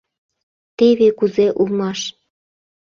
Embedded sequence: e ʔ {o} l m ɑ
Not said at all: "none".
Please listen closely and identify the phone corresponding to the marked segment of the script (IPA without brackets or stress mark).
u